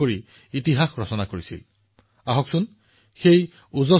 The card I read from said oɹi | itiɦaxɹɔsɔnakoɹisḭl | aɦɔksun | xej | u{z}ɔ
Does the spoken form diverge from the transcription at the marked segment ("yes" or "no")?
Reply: no